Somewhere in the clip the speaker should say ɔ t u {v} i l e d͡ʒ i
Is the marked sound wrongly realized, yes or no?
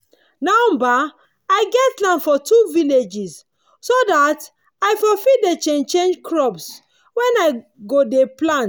no